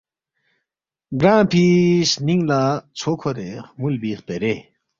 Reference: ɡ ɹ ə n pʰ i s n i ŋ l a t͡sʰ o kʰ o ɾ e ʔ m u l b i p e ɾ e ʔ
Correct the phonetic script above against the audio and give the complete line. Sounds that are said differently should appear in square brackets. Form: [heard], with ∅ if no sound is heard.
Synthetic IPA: ɡ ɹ [a] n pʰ i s n i ŋ l a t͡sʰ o kʰ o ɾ e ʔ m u l b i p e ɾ e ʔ